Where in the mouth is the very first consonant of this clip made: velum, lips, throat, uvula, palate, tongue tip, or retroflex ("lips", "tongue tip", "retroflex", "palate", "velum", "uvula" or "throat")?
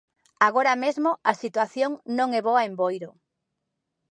velum